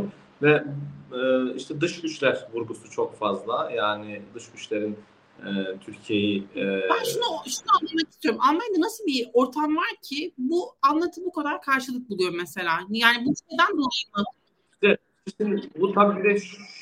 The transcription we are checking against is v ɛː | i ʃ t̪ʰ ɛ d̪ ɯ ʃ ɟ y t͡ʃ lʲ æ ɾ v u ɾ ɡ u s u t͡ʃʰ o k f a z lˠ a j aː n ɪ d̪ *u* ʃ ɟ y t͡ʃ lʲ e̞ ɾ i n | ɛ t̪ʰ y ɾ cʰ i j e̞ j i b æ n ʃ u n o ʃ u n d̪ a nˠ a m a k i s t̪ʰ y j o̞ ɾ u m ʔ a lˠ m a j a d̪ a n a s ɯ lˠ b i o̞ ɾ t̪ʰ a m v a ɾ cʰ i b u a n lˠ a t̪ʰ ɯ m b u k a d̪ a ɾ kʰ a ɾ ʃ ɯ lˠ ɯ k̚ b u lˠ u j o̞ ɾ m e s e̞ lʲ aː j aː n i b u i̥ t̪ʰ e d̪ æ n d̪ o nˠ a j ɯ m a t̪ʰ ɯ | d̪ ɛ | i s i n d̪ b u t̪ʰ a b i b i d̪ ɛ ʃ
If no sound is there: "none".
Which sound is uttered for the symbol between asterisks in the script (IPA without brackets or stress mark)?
ɯ